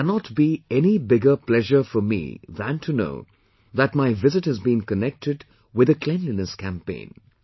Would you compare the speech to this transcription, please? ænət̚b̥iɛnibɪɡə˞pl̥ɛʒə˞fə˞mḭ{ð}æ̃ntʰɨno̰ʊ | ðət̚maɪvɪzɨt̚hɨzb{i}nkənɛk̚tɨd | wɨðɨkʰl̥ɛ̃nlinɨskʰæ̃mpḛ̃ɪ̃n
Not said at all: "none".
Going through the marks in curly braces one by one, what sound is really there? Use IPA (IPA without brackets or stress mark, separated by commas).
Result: ð, ĩ